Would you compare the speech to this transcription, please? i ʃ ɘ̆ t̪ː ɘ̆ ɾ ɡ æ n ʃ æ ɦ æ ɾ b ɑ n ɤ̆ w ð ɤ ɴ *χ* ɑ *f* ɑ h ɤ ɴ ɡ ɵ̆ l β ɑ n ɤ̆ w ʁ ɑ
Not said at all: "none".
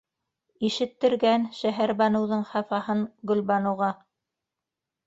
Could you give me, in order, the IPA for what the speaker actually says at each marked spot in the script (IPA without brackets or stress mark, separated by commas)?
χ, f